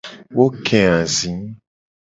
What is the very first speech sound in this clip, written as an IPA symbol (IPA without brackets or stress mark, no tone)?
w